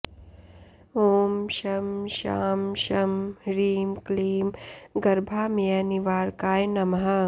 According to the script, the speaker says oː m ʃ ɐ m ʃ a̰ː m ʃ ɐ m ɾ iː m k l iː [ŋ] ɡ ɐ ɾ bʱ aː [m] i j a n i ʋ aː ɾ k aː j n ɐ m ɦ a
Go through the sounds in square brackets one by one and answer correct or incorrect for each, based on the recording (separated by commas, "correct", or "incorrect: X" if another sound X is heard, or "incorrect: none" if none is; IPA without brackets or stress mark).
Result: incorrect: m, correct